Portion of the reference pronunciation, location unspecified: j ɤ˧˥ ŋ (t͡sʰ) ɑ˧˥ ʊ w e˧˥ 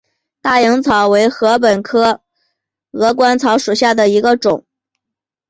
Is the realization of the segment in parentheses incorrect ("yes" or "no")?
no